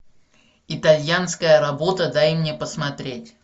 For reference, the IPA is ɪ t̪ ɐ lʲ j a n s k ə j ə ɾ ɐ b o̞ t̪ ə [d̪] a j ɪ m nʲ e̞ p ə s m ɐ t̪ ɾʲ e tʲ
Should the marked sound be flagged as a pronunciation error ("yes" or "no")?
no